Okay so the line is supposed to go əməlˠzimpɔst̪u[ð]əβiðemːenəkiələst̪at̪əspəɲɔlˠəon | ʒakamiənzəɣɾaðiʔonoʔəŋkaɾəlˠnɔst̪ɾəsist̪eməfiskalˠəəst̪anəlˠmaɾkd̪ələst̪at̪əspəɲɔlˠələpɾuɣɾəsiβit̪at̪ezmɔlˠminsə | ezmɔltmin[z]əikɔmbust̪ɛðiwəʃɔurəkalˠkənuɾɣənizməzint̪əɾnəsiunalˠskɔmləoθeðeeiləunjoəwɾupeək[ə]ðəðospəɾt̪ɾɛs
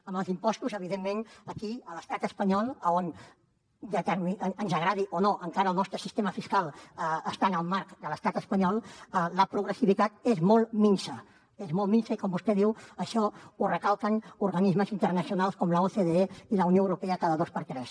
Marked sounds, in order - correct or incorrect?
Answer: incorrect: z, incorrect: s, incorrect: a

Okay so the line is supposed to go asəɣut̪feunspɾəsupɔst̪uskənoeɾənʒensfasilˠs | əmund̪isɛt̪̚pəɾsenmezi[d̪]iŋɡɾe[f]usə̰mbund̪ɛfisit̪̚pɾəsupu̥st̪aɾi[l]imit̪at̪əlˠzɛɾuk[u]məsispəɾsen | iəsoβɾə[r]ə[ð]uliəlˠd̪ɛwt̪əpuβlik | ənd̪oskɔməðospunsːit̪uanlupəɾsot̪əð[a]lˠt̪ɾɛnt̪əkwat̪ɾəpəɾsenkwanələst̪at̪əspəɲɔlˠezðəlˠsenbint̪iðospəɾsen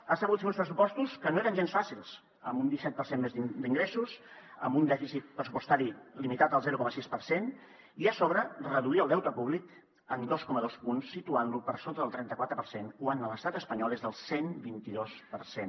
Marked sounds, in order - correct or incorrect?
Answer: correct, incorrect: s, correct, incorrect: ɔ, correct, correct, incorrect: ə

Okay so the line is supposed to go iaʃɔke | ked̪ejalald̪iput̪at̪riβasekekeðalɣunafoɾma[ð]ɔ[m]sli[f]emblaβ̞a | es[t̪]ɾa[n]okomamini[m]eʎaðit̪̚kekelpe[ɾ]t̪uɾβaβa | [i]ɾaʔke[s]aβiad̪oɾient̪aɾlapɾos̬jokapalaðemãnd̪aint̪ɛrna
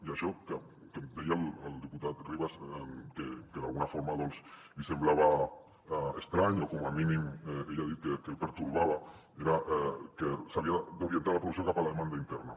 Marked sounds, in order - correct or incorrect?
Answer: correct, incorrect: n, incorrect: s, correct, incorrect: ɲ, correct, correct, incorrect: e, correct

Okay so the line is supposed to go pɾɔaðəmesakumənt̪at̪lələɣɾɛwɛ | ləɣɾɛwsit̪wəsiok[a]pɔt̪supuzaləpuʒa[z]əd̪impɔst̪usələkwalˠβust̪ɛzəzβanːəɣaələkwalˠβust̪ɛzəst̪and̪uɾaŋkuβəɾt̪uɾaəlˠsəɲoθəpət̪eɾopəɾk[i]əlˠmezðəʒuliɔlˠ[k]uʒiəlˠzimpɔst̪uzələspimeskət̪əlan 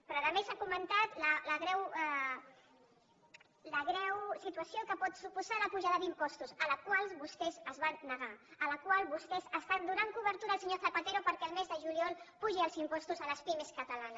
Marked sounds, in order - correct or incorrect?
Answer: incorrect: ə, incorrect: ð, incorrect: ɛ, incorrect: p

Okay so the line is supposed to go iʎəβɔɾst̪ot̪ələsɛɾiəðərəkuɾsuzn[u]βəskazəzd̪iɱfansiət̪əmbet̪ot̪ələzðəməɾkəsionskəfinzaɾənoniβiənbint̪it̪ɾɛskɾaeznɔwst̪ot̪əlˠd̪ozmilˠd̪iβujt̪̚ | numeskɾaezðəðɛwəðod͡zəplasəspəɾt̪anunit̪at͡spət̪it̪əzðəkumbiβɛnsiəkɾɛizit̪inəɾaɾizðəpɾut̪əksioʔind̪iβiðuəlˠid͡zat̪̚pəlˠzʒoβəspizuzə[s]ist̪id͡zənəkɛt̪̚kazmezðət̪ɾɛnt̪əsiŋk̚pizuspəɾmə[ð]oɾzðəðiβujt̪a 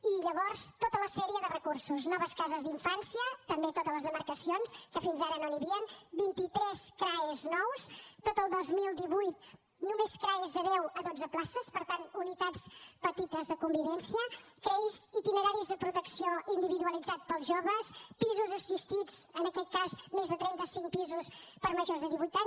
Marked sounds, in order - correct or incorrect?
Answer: incorrect: ɔ, correct, incorrect: ʒ

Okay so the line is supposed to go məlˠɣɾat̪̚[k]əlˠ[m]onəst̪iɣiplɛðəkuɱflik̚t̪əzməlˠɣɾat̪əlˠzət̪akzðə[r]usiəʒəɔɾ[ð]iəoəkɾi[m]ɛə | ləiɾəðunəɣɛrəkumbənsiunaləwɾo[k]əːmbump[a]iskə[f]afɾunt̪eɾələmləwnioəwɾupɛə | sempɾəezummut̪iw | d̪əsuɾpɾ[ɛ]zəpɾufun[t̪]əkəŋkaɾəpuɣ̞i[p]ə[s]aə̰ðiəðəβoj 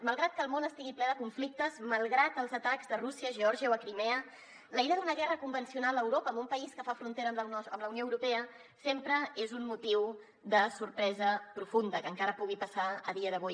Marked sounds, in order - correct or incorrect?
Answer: correct, correct, correct, incorrect: ʒ, correct, incorrect: p, incorrect: ə, correct, correct, incorrect: d̪, correct, correct

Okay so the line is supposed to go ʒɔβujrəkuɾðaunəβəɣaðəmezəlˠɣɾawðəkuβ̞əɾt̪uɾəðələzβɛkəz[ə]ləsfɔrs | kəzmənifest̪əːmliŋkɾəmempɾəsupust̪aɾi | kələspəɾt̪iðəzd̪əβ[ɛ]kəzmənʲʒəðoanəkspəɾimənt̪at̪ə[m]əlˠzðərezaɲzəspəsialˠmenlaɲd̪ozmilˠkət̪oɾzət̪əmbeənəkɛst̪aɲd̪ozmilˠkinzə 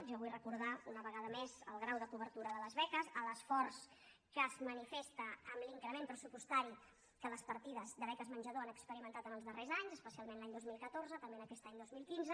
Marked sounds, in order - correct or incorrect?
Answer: correct, correct, incorrect: n

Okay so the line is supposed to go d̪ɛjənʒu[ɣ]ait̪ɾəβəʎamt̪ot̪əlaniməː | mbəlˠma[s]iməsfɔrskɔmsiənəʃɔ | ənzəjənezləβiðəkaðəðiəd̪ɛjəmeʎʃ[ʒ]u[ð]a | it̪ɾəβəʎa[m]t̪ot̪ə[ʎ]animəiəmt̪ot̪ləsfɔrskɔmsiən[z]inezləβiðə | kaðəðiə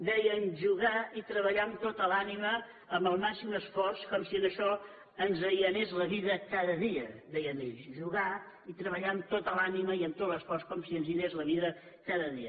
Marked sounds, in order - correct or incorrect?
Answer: correct, correct, correct, incorrect: ɣ, correct, incorrect: l, correct

